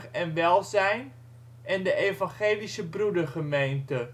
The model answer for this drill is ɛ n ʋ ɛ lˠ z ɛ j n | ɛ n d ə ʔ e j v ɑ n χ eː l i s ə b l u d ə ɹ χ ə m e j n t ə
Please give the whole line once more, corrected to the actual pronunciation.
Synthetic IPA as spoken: ɛ n ʋ ɛ lˠ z ɛ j n | ɛ n d ə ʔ e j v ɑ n χ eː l i s ə b r u d ə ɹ χ ə m e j n t ə